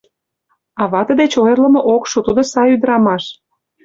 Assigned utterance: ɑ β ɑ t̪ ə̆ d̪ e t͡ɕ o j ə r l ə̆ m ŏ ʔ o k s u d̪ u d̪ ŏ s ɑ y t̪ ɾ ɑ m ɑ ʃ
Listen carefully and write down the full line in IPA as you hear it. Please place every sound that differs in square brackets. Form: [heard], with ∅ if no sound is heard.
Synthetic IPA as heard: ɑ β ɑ t̪ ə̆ d̪ e t͡ɕ o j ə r l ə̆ m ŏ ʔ o k [ʃ] u [t̪] u d̪ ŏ s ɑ y [d̪] ɾ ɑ m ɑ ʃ